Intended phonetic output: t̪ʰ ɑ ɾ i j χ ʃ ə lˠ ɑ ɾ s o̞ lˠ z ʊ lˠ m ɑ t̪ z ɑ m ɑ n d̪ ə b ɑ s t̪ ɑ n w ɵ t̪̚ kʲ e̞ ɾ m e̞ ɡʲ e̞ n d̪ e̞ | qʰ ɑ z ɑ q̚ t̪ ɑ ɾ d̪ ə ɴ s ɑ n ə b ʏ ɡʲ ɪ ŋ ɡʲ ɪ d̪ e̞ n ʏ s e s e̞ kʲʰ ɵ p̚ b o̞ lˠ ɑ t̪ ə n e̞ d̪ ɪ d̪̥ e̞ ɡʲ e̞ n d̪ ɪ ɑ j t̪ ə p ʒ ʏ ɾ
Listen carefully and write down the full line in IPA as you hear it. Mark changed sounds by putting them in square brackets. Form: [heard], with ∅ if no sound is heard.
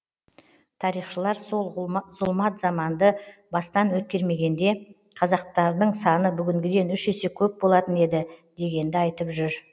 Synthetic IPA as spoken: t̪ʰ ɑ ɾ i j χ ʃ ə lˠ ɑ ɾ s o̞ lˠ z ʊ lˠ m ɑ t̪ z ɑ m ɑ n d̪ ə b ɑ s t̪ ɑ n w ɵ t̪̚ kʲ e̞ ɾ m e̞ ɡʲ e̞ n d̪ e̞ | qʰ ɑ z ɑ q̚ t̪ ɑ ɾ d̪ ə ɴ s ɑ n ə b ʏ ɡʲ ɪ ŋ ɡʲ ɪ d̪ e̞ n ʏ [ʃ] e s e̞ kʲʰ ɵ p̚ b o̞ lˠ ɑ t̪ ə n e̞ d̪ ɪ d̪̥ e̞ ɡʲ e̞ n d̪ ɪ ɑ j t̪ ə p ʒ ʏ ɾ